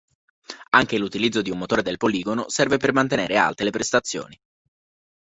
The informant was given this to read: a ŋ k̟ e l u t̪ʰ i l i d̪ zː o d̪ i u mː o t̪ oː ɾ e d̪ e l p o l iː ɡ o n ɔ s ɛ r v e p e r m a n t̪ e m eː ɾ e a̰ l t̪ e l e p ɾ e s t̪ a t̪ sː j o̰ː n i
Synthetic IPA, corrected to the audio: a ŋ k̟ e l u t̪ i l i d̪ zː o d̪ i u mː o t̪ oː ɾ e d̪ e l p o l iː ɡ o n o s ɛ r v e p e r m a n t̪ e n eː ɾ e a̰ l t̪ e l e p ɾ e s t̪ a t̪ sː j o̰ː n i